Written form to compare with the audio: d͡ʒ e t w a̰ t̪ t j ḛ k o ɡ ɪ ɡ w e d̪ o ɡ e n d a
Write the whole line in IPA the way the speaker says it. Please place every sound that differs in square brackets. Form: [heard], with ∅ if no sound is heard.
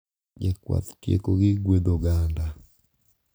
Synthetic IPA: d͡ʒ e [k] w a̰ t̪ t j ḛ k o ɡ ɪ ɡ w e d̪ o ɡ [a] n d a

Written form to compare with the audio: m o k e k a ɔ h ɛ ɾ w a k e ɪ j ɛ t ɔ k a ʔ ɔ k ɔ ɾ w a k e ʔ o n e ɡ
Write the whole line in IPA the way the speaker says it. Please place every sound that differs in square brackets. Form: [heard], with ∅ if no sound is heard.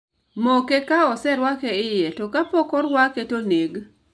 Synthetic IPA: m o k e k a ɔ [s] ɛ ɾ w a k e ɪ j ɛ t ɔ k a [p] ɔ k ɔ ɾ w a k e [t] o n e ɡ

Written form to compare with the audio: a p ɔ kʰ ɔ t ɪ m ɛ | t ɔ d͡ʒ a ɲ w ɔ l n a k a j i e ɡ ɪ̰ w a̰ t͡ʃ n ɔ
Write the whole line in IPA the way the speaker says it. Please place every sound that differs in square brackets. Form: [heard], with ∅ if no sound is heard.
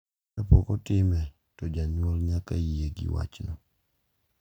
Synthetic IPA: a p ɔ [k] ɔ t ɪ m ɛ | t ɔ d͡ʒ a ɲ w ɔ l [ɲ] a k a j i e ɡ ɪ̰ w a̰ t͡ʃ n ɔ

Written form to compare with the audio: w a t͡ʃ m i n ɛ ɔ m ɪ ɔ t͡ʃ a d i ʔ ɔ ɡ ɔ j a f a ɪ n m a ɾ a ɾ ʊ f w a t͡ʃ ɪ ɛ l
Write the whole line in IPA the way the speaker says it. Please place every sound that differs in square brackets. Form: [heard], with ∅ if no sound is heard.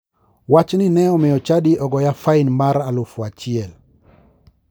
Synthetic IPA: w a t͡ʃ [n] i n ɛ ɔ m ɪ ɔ t͡ʃ a d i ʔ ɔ ɡ ɔ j a f a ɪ n m a ɾ a [l] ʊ f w a t͡ʃ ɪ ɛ l

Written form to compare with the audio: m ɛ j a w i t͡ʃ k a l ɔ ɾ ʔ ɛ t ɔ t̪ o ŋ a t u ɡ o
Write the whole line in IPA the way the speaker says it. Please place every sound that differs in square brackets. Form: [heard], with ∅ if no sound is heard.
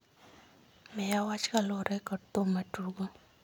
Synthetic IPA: m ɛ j a w [a] t͡ʃ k a l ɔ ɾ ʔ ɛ [k] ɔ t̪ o [m] a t u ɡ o

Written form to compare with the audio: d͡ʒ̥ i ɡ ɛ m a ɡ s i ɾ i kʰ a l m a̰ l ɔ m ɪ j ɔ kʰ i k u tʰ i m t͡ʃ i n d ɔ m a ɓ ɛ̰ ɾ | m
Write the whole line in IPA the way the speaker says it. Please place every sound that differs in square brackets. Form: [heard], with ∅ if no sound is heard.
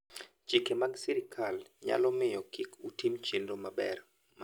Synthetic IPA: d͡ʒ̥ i [k] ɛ m a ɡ s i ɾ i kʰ a l [ɲ] a̰ l ɔ m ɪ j ɔ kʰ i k u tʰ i m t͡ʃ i n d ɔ m a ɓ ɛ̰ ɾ | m

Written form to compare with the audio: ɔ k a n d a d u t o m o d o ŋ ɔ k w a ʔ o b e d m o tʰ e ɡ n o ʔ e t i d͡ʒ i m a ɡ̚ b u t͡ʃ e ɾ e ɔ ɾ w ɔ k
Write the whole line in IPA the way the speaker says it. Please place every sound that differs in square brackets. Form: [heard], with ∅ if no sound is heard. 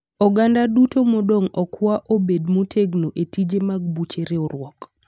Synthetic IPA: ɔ [ɡ] a n d a d u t o m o d o ŋ ɔ k w a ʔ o b e d m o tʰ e ɡ n o ʔ e t i d͡ʒ [e] m a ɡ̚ b u t͡ʃ e ɾ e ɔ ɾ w ɔ k

